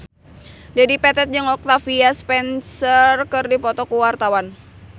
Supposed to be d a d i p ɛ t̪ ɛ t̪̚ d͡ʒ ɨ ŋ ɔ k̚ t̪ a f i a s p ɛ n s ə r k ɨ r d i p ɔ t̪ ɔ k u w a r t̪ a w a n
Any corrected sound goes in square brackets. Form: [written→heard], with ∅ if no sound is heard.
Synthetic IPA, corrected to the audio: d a d i p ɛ t̪ ɛ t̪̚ d͡ʒ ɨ ŋ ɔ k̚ t̪ a f i a s p ɛ n s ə r k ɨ r d i p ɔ t̪ ɔ k u w a r t̪ a w a n